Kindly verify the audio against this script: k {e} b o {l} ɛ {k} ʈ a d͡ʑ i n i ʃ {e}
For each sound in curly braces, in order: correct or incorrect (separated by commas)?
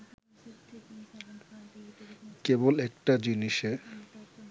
correct, correct, correct, correct